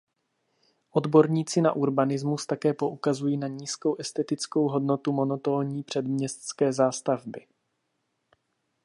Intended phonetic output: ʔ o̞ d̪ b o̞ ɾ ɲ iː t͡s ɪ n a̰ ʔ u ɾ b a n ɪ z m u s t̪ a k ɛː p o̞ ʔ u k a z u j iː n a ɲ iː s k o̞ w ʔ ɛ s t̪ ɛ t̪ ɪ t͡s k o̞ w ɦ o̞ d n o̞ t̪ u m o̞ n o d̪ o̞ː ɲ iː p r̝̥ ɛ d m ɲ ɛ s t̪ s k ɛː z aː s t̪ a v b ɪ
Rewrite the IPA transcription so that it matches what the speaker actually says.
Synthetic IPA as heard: ʔ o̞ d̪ b o̞ ɾ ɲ iː t͡s ɪ n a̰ ʔ u ɾ b a n ɪ z m u s t̪ a k ɛː p o̞ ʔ u k a z u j iː n a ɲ iː s k o̞ w ʔ ɛ s t̪ ɛ t̪ ɪ t͡s k o̞ w ɦ o̞ d n o̞ t̪ u m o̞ n o t̪ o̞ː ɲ iː p r̝̥ ɛ d m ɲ ɛ s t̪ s k ɛː z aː s t̪ a v b ɪ

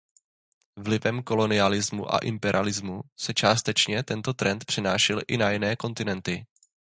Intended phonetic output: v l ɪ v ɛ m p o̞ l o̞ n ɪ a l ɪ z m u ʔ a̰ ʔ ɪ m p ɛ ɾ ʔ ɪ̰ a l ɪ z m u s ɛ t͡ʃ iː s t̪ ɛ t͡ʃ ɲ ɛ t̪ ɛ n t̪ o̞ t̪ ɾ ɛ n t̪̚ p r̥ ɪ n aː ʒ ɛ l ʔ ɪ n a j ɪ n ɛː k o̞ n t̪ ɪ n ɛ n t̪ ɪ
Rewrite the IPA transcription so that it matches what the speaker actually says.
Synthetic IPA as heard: v l ɪ v ɛ m k o̞ l o̞ n ɪ a l ɪ z m u ʔ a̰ ʔ ɪ m p ɛ ɾ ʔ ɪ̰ a l ɪ z m u s ɛ t͡ʃ aː s t̪ ɛ t͡ʃ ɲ ɛ t̪ ɛ n t̪ o̞ t̪ ɾ ɛ n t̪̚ p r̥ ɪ n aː ʃ ɛ l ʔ ɪ n a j ɪ n ɛː k o̞ n t̪ ɪ n ɛ n t̪ ɪ

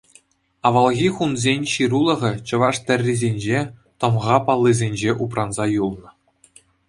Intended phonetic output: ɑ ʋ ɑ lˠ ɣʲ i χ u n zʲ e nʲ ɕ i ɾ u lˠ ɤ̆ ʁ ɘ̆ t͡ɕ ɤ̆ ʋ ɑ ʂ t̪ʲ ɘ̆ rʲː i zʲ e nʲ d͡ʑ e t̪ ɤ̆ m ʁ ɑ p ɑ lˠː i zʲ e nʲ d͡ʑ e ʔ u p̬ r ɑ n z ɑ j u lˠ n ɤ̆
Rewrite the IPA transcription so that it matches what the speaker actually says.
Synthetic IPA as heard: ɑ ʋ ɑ lˠ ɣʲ i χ u n zʲ e nʲ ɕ i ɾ u lˠ ɤ̆ ʁ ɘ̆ t͡ɕ ɤ̆ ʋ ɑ ʂ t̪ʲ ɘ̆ rʲː i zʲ e nʲ d͡ʑ e t̪ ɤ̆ m ʁ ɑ p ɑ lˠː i zʲ e nʲ d͡ʑ e ʔ u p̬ r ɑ n z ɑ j u lˠ n ɤ̆

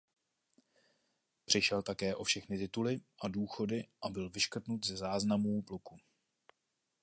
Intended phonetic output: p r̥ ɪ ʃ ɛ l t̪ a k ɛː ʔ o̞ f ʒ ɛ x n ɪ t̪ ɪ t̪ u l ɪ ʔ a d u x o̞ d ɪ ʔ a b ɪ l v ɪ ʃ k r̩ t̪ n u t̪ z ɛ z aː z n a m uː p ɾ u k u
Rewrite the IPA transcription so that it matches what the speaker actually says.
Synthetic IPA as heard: p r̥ ɪ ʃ ɛ l t̪ a k ɛː ʔ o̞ f ʃ ɛ x n ɪ t̪ ɪ t̪ u l ɪ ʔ a d uː x o̞ d ɪ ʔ a b ɪ l v ɪ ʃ k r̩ t̪ n u t̪ z ɛ z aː z n a m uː p l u k u

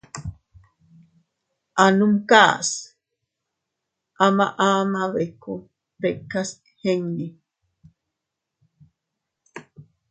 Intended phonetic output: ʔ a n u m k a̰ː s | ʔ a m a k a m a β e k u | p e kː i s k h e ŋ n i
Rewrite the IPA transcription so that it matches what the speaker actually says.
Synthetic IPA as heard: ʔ a n u m k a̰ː s | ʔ a m a ʔ a m a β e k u | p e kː a s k h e ŋ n i

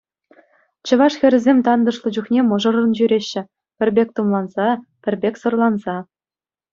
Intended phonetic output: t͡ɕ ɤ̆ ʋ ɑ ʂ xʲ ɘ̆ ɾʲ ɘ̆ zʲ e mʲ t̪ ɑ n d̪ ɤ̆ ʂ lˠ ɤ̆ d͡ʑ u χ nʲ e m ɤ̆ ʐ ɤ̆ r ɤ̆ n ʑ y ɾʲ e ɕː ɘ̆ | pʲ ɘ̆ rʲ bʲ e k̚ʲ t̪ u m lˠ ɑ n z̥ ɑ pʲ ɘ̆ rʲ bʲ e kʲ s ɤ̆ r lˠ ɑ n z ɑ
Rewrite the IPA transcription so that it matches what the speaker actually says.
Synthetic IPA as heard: t͡ɕ ɤ̆ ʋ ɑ ʂ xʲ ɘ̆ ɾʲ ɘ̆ zʲ e mʲ t̪ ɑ n d̪ ɤ̆ ʂ lˠ ɤ̆ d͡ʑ u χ nʲ e m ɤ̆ ʐ ɤ̆ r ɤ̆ n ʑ y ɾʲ e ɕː ɘ̆ | pʲ ɘ̆ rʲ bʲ e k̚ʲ t̪ u m lˠ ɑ n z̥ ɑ pʲ ɘ̆ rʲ bʲ e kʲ s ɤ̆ r lˠ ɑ n z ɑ

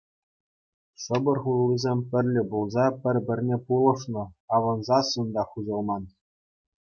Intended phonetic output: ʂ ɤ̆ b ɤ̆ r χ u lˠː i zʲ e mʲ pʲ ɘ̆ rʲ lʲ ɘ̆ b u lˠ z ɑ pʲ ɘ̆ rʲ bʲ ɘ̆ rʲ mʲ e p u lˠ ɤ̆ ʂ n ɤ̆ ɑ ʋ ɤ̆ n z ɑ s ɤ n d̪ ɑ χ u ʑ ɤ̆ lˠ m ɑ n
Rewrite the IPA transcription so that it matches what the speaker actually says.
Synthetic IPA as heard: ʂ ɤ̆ b ɤ̆ r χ u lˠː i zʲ e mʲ pʲ ɘ̆ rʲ lʲ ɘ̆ b u lˠ z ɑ pʲ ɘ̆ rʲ bʲ ɘ̆ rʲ nʲ e p u lˠ ɤ̆ ʂ n ɤ̆ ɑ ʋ ɤ̆ n z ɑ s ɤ n d̪ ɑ χ u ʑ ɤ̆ lˠ m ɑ n

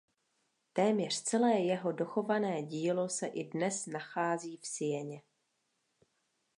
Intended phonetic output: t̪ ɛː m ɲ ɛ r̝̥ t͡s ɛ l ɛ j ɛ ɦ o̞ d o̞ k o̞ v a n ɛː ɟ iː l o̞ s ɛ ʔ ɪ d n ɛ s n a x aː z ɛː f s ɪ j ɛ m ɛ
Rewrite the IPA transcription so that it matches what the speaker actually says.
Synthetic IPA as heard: t̪ ɛː m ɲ ɛ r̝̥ t͡s ɛ l ɛː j ɛ ɦ o̞ d o̞ x o̞ v a n ɛː ɟ iː l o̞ s ɛ ʔ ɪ d n ɛ s n a x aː z iː f s ɪ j ɛ ɲ ɛ

